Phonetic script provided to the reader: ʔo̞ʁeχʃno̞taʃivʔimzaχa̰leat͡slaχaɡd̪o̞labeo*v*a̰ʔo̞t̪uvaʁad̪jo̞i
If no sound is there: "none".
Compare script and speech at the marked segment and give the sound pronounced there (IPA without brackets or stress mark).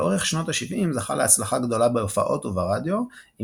f